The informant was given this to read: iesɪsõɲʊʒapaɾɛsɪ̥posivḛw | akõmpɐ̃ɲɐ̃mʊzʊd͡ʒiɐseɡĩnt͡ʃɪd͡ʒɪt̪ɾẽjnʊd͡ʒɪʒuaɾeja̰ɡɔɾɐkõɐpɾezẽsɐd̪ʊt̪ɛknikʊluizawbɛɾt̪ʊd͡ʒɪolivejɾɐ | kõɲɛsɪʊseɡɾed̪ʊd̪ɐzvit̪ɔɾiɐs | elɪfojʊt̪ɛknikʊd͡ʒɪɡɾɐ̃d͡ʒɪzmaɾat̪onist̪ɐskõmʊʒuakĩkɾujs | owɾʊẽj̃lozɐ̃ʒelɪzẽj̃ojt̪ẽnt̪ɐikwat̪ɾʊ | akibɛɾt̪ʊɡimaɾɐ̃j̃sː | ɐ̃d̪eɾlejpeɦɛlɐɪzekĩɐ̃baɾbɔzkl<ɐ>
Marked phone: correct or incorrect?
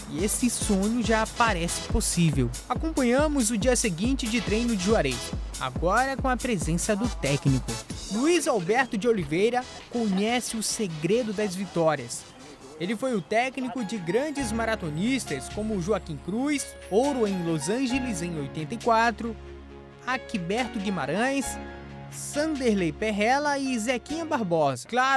incorrect